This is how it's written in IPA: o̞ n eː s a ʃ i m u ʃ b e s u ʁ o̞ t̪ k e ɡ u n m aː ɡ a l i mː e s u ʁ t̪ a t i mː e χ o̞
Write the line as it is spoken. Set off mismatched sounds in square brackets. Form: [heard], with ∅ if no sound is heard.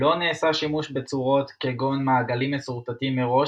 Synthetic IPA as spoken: o̞ n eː s a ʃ i m u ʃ b e [t͡s] u ʁ o̞ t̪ k e ɡ [o] n m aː ɡ a l i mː e s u ʁ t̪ a t i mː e [ʁ] o̞